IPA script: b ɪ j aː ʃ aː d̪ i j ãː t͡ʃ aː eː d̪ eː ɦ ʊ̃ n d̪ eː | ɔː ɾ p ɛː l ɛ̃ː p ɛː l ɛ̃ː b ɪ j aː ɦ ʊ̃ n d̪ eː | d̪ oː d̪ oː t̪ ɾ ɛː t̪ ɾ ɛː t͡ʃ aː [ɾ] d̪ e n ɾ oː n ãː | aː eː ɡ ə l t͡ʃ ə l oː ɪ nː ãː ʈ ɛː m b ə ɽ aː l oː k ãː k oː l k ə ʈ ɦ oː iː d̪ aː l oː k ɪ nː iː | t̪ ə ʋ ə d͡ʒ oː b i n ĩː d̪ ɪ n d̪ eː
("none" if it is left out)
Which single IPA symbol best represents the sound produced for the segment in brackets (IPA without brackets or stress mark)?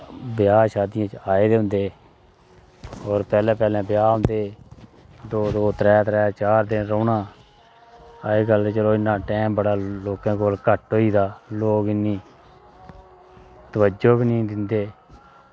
ɾ